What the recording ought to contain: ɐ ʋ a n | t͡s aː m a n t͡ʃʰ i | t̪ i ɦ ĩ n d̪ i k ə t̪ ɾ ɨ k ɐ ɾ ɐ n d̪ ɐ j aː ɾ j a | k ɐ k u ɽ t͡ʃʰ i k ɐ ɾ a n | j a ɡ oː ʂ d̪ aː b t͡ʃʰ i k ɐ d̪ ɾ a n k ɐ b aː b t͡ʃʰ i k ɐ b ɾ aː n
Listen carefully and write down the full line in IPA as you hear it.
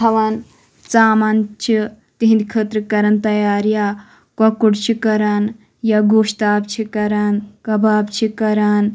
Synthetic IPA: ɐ ʋ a n | t͡s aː m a n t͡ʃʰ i | t̪ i ɦ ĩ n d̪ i kʰ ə t̪ ɾ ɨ k ɐ ɾ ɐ n t̪ ɐ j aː ɾ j a | k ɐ k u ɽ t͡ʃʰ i k ɐ ɾ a n | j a ɡ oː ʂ t̪ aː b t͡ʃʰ i k ɐ ɾ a n k ɐ b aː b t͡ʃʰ i k ɐ ɾ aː n

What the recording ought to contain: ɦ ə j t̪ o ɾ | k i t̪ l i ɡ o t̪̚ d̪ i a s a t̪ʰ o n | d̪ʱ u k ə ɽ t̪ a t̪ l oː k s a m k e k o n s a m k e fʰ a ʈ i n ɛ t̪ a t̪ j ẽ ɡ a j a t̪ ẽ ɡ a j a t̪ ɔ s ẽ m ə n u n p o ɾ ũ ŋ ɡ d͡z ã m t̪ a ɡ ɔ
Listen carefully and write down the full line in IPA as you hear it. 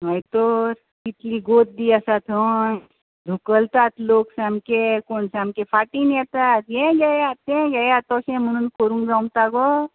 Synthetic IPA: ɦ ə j t̪ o ɾ | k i t̪ l i ɡ o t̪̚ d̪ i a s a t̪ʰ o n | d̪ʱ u k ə l t̪ a t̪ l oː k s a m k e k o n s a m k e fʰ a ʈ i n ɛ t̪ a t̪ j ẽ ɡ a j a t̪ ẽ ɡ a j a t̪ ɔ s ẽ m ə n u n k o ɾ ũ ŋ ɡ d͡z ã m t̪ a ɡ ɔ

